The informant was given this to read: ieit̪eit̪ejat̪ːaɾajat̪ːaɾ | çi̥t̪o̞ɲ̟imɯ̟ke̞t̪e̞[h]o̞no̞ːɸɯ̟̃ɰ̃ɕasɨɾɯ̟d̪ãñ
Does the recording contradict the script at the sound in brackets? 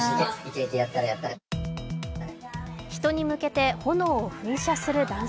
no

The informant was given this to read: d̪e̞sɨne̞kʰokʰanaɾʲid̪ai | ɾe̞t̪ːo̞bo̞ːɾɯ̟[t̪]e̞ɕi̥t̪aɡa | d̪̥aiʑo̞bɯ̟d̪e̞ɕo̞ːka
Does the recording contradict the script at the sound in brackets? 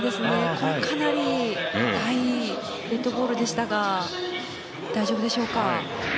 yes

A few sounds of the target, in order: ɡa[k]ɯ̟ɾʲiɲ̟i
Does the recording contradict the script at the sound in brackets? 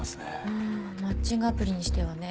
yes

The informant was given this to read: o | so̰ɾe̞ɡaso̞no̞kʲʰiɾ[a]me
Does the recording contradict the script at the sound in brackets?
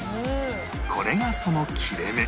yes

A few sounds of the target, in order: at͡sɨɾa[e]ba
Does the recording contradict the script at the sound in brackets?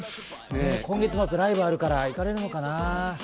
yes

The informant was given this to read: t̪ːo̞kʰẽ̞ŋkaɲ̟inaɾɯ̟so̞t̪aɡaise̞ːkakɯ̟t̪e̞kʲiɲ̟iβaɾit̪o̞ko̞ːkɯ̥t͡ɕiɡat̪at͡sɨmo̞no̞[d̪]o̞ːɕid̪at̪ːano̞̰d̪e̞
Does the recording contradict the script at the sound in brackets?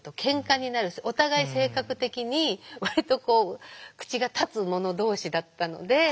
no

